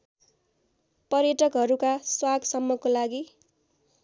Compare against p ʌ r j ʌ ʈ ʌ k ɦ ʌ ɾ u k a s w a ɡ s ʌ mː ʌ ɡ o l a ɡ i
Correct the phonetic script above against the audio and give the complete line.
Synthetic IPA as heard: p ʌ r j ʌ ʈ ʌ k ɦ ʌ ɾ u k a s w a ɡ s ʌ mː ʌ k o l a ɡ i